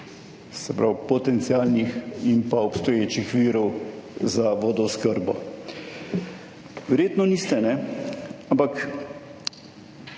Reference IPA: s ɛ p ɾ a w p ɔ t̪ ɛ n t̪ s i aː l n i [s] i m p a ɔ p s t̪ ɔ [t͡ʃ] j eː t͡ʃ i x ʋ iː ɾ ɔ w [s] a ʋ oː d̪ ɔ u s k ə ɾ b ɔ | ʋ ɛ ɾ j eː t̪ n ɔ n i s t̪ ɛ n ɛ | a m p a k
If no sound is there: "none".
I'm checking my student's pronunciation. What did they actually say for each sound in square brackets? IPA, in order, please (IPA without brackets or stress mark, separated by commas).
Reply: x, none, z